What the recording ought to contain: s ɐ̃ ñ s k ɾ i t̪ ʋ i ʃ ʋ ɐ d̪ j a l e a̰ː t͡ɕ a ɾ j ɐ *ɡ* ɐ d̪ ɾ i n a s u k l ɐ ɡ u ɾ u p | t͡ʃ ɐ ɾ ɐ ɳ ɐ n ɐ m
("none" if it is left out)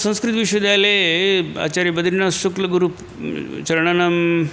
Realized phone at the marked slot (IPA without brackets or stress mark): b